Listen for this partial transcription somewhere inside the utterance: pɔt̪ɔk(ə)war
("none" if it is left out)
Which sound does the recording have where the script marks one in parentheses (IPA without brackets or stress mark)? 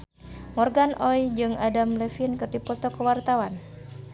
ə